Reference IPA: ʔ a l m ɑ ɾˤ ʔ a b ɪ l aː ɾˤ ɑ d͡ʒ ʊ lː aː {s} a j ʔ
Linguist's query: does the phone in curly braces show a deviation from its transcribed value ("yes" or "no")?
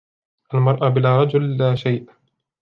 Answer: yes